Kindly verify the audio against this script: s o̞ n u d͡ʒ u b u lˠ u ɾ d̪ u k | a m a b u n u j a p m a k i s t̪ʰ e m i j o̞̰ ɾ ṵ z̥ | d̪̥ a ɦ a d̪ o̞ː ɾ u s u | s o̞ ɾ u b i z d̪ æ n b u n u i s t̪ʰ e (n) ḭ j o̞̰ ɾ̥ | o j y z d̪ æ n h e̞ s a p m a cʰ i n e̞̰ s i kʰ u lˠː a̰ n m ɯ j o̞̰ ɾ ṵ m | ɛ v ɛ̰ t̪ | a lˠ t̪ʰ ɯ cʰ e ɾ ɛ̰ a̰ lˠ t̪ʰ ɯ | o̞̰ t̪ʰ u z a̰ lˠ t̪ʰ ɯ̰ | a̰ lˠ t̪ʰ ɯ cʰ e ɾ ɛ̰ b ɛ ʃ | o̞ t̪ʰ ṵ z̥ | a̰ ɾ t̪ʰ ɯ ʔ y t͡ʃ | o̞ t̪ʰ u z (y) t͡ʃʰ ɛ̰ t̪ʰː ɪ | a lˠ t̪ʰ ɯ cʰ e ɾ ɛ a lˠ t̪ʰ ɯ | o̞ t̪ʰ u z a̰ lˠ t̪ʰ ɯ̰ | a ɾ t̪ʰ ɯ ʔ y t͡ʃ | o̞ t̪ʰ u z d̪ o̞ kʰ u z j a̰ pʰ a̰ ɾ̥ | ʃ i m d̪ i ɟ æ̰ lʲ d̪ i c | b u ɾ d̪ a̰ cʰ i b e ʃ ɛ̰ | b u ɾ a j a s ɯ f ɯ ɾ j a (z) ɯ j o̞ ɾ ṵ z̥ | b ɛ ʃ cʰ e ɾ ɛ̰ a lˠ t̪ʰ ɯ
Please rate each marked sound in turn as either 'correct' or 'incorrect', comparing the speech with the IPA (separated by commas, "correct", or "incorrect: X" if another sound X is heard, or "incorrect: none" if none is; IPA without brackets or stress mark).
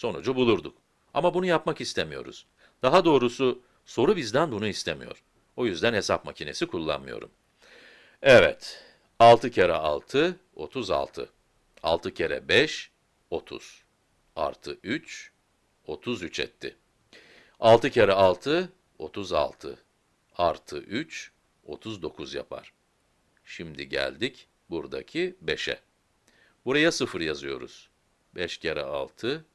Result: incorrect: m, correct, correct